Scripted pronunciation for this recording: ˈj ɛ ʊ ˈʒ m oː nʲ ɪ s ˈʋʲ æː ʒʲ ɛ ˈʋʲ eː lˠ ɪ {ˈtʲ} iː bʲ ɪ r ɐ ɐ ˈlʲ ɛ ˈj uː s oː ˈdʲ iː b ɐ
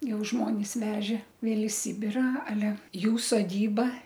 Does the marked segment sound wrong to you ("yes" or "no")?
yes